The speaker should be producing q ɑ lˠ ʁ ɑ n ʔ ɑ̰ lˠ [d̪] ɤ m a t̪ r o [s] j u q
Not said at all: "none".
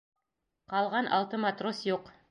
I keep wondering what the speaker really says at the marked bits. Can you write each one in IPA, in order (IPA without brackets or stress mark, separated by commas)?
t̪, s